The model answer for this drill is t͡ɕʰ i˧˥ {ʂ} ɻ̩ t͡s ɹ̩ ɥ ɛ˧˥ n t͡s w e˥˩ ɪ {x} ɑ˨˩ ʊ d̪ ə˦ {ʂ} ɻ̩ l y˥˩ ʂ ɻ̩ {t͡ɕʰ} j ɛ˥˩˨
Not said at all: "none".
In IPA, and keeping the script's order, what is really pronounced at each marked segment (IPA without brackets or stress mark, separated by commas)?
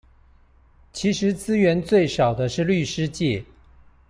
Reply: ʂ, ʂ, ʂ, t͡ɕ